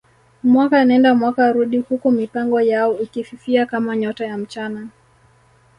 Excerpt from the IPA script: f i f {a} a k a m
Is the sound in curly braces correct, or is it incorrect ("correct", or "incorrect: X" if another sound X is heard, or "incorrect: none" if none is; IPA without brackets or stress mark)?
incorrect: i